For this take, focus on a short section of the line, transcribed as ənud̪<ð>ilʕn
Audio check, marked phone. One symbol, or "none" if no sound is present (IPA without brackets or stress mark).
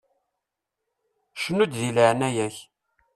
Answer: ð